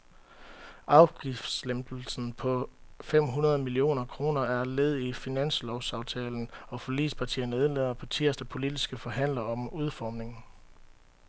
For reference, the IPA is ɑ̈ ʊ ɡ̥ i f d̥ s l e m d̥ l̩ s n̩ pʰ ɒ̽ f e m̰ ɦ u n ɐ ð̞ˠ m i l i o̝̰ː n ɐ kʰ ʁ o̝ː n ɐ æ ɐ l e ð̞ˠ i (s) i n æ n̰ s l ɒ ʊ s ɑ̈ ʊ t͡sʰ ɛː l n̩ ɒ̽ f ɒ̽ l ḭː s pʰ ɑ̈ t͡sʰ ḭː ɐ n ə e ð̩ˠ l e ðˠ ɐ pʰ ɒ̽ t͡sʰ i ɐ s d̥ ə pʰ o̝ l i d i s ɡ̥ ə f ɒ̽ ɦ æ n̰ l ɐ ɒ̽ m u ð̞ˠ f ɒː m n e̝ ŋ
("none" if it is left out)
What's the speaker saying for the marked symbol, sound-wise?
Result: f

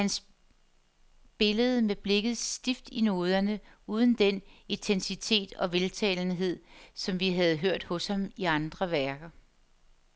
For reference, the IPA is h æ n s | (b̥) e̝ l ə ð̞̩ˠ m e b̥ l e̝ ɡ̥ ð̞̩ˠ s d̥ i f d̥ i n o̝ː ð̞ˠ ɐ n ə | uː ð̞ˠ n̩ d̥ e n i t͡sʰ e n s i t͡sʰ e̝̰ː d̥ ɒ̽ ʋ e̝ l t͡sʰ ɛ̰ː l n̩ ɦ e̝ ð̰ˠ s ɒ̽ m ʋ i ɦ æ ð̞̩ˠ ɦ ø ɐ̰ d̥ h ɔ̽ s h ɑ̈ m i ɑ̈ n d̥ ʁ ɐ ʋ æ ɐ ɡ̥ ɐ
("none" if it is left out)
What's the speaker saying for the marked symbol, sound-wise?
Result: b̥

